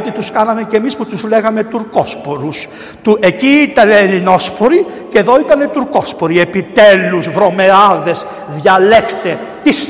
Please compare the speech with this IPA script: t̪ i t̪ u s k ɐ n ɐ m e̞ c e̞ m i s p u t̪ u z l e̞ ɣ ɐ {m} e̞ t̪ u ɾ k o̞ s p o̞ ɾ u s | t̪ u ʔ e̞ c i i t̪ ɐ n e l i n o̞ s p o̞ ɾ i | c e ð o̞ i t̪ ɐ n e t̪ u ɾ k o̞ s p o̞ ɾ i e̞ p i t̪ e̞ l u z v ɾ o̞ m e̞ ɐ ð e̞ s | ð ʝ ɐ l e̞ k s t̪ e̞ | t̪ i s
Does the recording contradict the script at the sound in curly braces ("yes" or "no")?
no